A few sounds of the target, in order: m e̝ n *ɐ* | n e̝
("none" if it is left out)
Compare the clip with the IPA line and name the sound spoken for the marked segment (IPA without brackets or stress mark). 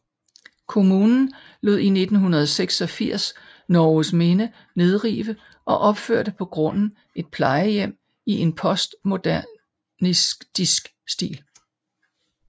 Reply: ə